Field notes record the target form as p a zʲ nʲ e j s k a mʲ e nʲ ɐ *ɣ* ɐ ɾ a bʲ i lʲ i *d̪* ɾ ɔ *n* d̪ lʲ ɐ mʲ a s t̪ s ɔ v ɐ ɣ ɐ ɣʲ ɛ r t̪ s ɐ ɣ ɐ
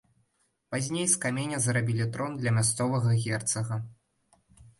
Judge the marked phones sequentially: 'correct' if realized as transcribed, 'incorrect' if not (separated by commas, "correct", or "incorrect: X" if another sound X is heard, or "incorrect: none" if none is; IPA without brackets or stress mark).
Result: incorrect: z, incorrect: t̪, correct